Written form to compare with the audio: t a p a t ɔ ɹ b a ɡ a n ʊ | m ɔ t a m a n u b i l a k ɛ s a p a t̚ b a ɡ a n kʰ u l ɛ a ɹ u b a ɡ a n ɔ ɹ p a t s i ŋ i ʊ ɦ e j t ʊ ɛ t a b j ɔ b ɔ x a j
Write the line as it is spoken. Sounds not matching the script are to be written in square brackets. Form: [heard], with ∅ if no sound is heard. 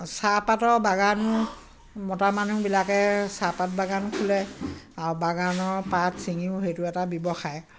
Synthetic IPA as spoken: [s] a p a t ɔ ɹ b a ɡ a n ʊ | m ɔ t a m a n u b i l a k ɛ s a p a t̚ b a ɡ a n kʰ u l ɛ a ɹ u b a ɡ a n ɔ ɹ p a t s i ŋ i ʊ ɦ e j t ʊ ɛ t a b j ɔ b ɔ x a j